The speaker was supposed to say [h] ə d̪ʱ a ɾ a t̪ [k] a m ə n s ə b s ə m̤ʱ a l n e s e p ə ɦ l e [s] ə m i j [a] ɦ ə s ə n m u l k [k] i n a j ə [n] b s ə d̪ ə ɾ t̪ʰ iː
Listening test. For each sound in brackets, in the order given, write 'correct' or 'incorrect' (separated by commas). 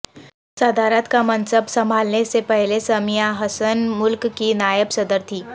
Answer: incorrect, correct, correct, correct, correct, incorrect